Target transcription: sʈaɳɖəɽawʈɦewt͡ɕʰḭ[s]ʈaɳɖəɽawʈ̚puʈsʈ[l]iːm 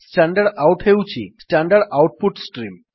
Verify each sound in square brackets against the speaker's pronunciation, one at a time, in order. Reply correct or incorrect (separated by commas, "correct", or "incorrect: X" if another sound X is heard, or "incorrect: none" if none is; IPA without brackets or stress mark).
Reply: correct, incorrect: ɾ